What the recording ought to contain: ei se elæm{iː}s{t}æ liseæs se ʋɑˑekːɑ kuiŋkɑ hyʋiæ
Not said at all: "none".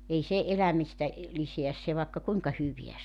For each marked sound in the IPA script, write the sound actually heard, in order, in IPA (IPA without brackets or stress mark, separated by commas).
i, t